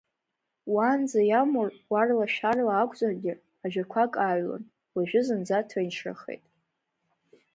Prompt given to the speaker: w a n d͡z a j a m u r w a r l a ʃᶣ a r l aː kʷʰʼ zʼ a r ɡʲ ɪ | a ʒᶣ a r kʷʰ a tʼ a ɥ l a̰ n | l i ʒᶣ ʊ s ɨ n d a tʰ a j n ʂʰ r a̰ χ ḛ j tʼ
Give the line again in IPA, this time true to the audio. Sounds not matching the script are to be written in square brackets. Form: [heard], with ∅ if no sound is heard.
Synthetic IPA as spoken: w a n d͡z a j a m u r w a r l a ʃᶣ a r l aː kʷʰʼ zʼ a r ɡʲ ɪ | a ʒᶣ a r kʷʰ a [kʼ] a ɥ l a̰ n | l [a] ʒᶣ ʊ [z] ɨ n [d͡z] a tʰ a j n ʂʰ r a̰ χ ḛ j tʼ